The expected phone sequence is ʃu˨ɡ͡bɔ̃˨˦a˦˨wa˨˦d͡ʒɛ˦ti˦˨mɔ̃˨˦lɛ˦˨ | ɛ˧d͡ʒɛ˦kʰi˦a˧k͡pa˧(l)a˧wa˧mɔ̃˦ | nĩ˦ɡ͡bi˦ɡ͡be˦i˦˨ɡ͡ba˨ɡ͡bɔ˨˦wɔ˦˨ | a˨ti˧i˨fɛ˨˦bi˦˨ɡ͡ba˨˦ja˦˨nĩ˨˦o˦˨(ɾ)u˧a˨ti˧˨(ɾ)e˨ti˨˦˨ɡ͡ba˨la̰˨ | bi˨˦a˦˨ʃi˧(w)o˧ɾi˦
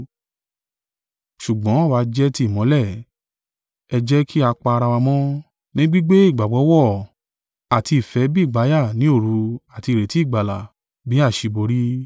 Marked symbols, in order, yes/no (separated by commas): no, yes, yes, no